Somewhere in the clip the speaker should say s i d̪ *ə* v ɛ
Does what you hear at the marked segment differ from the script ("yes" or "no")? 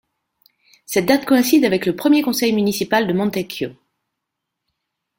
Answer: yes